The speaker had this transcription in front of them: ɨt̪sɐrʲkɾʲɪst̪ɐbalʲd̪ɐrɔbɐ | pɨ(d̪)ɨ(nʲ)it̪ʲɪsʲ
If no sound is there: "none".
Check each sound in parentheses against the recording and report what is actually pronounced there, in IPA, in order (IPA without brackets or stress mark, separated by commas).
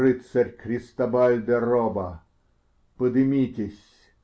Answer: d̪, mʲ